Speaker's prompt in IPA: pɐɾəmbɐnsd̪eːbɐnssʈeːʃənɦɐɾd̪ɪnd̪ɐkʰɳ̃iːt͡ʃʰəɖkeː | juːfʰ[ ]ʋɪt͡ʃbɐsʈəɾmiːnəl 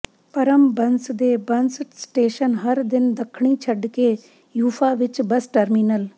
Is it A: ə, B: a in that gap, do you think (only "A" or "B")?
B